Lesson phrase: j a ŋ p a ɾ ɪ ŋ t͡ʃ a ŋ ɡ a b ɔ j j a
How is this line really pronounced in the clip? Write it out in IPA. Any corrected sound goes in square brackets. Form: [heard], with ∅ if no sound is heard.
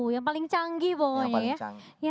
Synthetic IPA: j a ŋ p a [l] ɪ ŋ t͡ʃ a ŋ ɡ [i] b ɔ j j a